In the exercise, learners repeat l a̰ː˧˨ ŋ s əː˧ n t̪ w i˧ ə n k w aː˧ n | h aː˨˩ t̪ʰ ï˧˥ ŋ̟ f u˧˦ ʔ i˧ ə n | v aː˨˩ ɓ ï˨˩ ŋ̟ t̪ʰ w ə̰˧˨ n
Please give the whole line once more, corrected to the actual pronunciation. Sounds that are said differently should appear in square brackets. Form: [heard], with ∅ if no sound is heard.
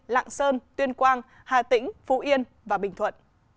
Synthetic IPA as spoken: l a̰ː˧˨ ŋ s əː˧ n t̪ w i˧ ə n k w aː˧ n | h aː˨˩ [t̪] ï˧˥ ŋ̟ f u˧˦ ʔ i˧ ə n | v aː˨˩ ɓ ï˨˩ ŋ̟ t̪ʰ w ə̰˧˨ n